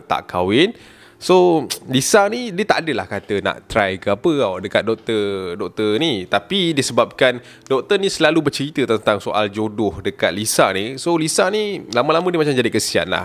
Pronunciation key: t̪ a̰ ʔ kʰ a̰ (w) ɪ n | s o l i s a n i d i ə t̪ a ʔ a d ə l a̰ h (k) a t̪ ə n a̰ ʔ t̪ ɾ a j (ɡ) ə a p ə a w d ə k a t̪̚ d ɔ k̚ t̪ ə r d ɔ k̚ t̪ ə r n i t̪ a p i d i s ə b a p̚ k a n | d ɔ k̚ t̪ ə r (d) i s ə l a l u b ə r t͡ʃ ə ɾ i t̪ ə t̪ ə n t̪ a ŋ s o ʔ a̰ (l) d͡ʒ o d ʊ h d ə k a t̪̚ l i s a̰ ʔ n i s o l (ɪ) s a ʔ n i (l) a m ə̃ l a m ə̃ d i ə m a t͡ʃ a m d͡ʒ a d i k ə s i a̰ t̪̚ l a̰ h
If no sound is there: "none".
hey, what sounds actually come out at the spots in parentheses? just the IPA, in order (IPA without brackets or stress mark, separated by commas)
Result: w, k, k, n, l, i, l